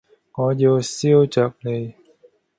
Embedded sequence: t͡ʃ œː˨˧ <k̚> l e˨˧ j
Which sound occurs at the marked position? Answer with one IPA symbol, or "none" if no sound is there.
k̚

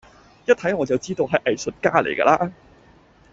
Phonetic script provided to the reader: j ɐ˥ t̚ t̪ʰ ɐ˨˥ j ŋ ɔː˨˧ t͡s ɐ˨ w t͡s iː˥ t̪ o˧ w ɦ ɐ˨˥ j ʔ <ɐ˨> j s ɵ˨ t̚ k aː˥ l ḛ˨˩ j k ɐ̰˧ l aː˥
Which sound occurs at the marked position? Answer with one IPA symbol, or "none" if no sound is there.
ɐ˨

